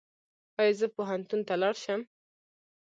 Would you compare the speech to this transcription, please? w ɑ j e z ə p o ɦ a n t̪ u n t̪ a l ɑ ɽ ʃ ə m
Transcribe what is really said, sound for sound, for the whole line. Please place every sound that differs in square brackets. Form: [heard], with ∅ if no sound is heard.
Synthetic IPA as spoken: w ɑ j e z ə p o ɦ a n t̪ u n t̪ a l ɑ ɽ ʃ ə m